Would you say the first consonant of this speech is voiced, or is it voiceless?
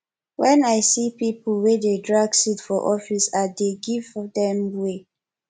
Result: voiced